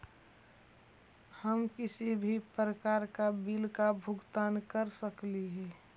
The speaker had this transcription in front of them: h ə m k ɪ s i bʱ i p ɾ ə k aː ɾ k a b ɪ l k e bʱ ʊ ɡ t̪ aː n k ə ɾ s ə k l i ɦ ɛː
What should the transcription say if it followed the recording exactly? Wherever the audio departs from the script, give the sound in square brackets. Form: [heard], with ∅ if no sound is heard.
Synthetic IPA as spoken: h ə m k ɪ s i bʱ i p ɾ ə k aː ɾ k a b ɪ l k [a] bʱ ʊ ɡ t̪ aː n k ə ɾ s ə k l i ɦ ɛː